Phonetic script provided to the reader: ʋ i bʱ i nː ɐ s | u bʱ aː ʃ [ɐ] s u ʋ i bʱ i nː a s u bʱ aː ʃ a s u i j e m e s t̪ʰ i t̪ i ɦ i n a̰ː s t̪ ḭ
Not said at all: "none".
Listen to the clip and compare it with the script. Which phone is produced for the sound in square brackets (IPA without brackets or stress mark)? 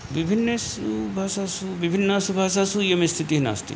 a